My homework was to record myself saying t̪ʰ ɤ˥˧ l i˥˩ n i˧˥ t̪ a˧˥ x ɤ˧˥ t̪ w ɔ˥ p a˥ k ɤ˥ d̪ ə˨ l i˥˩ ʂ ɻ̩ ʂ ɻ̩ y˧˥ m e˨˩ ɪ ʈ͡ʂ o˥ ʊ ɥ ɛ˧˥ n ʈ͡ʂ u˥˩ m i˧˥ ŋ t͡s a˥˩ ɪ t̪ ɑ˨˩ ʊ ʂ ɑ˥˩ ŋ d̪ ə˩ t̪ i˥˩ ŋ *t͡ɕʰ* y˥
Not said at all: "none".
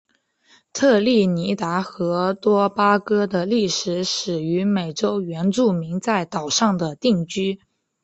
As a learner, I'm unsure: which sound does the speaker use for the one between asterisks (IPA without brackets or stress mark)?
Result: t͡ɕ